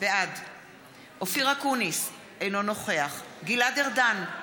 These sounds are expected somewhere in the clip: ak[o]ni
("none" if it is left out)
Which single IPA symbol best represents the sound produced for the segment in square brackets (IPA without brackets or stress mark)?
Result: u